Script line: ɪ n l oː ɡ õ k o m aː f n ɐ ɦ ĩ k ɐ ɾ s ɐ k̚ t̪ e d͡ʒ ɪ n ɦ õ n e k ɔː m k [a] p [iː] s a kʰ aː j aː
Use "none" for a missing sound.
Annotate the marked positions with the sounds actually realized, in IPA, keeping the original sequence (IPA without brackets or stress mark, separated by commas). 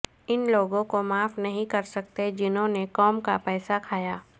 a, ɛː